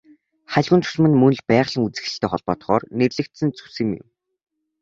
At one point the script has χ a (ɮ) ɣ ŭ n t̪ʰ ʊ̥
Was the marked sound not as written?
no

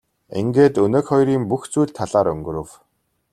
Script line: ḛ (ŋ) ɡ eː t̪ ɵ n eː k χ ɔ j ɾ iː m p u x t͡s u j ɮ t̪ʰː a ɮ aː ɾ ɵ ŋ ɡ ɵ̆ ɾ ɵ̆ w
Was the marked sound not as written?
no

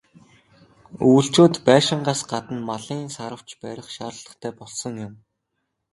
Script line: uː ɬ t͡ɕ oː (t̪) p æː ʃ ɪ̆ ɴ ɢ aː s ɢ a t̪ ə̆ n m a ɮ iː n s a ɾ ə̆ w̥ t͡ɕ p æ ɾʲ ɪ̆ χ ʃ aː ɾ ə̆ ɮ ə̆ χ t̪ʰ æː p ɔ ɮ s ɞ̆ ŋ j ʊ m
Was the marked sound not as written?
no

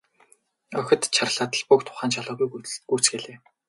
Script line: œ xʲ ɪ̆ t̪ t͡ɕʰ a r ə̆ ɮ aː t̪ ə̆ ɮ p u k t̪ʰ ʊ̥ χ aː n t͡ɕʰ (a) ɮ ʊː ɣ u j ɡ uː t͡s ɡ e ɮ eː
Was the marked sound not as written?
no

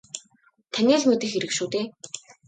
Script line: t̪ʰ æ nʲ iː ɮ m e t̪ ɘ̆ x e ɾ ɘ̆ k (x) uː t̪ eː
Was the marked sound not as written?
yes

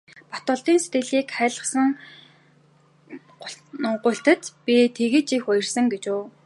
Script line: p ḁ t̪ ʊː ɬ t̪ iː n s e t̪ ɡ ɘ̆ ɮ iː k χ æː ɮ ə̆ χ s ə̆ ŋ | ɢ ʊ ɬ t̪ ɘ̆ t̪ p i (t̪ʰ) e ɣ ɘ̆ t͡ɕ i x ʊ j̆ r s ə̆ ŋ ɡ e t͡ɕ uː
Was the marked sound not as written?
no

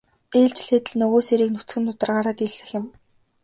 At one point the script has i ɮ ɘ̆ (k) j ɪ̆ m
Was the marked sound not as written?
yes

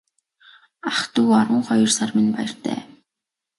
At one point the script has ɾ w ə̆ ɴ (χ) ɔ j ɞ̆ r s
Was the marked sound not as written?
no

